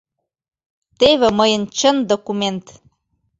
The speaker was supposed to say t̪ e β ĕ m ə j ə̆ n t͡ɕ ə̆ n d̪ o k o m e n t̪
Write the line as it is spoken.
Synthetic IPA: t̪ e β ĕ m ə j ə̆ n t͡ɕ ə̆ n d̪ o k u m e n t̪